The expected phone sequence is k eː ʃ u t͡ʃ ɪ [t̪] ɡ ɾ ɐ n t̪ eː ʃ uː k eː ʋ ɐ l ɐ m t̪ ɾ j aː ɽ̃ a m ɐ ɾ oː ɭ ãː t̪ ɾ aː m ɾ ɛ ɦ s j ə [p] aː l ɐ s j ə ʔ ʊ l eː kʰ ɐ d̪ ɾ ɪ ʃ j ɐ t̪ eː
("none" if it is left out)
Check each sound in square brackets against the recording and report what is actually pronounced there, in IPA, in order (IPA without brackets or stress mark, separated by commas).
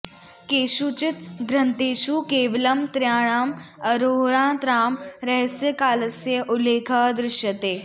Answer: t̪, k